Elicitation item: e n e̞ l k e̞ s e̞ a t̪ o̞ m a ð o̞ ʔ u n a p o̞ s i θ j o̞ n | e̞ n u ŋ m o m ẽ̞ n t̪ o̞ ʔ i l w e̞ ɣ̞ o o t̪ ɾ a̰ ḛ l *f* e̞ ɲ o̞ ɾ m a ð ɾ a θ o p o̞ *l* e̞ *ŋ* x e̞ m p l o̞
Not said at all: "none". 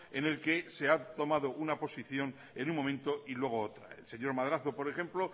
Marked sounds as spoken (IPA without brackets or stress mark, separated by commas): s, ɾ, none